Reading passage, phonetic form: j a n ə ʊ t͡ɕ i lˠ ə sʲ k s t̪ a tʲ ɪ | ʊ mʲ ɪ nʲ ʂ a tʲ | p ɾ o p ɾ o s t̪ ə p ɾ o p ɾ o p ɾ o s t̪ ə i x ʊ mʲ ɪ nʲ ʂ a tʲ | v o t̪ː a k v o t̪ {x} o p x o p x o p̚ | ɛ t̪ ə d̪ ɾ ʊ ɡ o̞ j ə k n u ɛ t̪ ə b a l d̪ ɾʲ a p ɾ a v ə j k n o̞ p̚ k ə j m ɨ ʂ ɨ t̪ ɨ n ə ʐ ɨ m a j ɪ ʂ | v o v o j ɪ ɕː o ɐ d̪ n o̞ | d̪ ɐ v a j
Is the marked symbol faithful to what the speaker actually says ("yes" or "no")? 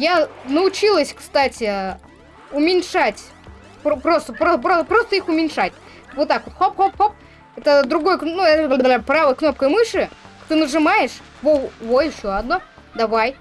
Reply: yes